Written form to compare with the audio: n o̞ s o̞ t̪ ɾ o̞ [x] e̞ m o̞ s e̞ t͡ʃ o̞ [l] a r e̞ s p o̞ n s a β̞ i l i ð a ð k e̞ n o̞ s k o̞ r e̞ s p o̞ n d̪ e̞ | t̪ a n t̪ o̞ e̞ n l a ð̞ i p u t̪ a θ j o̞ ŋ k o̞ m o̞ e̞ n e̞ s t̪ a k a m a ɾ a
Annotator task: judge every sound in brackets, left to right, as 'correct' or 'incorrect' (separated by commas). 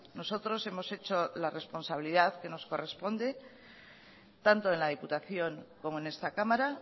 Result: incorrect, correct